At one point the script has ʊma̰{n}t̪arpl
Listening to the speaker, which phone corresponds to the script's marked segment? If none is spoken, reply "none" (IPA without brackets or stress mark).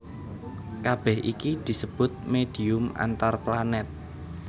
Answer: n